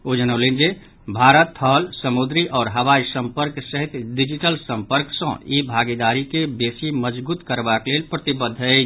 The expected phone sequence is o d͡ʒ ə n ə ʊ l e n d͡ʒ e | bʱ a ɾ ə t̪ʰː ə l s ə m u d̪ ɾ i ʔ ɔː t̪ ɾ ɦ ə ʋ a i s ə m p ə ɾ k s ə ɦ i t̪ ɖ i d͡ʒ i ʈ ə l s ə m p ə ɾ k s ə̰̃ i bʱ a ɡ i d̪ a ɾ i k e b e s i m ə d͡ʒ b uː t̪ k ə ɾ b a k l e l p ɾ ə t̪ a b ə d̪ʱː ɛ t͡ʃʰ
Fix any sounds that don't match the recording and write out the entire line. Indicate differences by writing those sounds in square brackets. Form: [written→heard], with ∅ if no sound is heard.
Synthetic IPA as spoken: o d͡ʒ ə n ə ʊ l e n d͡ʒ e | bʱ a ɾ ə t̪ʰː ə l s ə m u d̪ ɾ i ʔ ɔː [t̪→∅] ɾ ɦ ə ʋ a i s ə m p ə ɾ k s ə ɦ i t̪ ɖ i d͡ʒ i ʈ ə l s ə m p ə ɾ k s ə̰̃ i bʱ a ɡ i d̪ a ɾ i k e b e s i m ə d͡ʒ b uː t̪ k ə ɾ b a k l e l p ɾ ə t̪ [a→i] b ə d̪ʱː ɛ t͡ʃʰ